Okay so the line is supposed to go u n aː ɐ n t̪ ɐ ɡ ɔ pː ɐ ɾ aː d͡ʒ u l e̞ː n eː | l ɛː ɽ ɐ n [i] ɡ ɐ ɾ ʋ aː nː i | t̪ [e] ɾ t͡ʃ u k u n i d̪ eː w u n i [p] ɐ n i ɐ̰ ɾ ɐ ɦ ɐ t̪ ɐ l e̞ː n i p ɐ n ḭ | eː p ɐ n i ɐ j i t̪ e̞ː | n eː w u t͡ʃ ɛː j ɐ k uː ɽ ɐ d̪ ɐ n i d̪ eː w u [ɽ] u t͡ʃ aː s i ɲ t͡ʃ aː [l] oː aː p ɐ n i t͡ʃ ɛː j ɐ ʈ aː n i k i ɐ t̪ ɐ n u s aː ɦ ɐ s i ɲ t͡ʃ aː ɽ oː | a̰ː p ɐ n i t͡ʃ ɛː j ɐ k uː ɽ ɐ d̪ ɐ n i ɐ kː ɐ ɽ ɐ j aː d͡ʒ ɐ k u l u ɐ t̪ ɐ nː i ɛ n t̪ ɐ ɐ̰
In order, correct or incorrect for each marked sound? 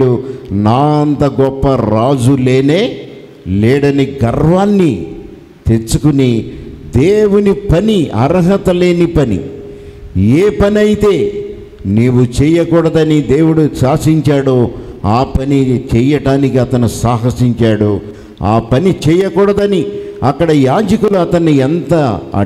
correct, correct, correct, correct, incorrect: ɽ

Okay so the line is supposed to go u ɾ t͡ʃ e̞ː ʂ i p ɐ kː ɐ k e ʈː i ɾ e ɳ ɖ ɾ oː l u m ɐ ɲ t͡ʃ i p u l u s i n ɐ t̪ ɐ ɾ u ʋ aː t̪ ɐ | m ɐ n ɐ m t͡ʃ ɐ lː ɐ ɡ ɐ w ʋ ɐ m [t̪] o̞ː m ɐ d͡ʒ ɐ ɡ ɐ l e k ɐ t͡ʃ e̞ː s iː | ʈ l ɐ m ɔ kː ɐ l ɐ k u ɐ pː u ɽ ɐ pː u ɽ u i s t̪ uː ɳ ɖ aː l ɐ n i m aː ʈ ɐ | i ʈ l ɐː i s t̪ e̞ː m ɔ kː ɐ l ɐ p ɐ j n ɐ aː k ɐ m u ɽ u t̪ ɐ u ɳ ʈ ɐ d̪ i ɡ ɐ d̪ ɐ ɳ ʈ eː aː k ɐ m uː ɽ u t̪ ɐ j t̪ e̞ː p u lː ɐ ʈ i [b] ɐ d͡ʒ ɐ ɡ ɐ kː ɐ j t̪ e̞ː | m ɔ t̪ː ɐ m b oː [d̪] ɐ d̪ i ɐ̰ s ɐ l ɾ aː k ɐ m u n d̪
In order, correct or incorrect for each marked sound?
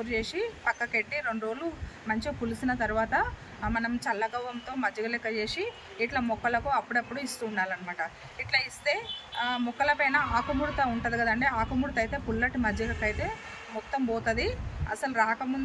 correct, incorrect: m, incorrect: t̪

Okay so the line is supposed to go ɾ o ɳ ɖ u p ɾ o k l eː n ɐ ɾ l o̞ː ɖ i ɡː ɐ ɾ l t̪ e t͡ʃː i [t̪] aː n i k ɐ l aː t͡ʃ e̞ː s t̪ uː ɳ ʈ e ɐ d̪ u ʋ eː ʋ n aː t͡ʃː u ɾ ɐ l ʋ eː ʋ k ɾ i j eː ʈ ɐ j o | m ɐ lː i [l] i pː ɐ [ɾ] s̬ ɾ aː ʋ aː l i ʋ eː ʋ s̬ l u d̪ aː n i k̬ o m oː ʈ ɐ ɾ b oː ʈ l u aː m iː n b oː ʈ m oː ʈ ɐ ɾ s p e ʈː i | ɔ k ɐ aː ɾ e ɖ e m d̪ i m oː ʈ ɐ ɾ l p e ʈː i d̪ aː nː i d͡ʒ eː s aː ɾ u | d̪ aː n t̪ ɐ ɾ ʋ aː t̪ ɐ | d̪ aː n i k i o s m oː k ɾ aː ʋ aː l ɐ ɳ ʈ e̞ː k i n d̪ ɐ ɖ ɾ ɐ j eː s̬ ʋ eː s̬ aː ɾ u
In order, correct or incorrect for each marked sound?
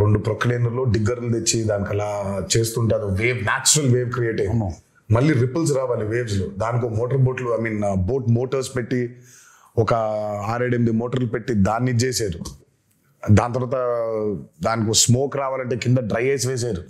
incorrect: d̪, incorrect: ɾ, incorrect: l

